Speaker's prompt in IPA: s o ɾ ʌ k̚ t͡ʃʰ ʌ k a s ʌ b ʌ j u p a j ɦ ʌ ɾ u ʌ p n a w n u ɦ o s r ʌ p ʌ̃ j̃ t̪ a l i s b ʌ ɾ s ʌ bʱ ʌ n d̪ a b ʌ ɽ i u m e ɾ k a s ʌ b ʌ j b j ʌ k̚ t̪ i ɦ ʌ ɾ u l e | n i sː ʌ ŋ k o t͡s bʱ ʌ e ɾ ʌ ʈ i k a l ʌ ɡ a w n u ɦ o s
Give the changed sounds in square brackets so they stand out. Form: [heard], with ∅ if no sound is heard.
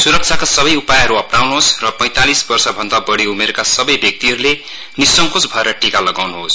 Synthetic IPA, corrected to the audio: s [u] ɾ ʌ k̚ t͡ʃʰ [a] k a s ʌ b ʌ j u p a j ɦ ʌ ɾ u ʌ p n a w n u ɦ o s r ʌ p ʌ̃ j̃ t̪ a l i s b ʌ [r] s ʌ bʱ ʌ n d̪ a b ʌ ɽ i u m e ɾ k a s ʌ b ʌ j b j ʌ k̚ t̪ i ɦ ʌ ɾ u l e | n i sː ʌ ŋ k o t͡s bʱ ʌ e ɾ ʌ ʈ i k a l ʌ ɡ a w n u ɦ o s